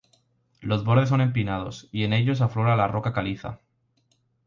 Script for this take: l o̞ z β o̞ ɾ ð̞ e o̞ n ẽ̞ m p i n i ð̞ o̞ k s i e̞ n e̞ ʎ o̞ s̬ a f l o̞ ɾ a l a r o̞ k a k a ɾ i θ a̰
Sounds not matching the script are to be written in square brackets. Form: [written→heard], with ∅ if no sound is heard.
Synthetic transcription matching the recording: l o̞ z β o̞ ɾ ð̞ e o̞ n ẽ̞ m p i n [i→a] ð̞ o̞ [k→∅] s i e̞ n e̞ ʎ o̞ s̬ a f l o̞ ɾ a l a r o̞ k a k a [ɾ→l] i θ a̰